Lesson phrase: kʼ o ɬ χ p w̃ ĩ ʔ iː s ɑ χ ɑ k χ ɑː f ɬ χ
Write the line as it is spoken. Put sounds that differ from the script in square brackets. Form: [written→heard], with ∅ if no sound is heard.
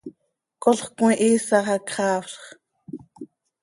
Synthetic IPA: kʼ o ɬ χ [p→k] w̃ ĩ ʔ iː s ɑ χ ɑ k χ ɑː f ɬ χ